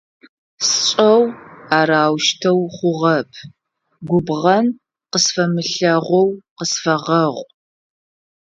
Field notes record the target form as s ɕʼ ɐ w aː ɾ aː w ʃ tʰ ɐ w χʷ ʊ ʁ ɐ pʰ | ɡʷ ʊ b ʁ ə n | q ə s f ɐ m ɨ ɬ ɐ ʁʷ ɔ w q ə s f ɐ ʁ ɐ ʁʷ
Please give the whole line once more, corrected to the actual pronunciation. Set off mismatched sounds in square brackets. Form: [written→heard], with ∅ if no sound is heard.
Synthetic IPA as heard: s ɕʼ ɐ w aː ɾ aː w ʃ tʰ ɐ w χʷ ʊ ʁ ɐ pʰ | ɡʷ ʊ b ʁ [ə→ɐ] n | q ə s f ɐ m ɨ ɬ ɐ ʁʷ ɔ w q ə s f ɐ ʁ ɐ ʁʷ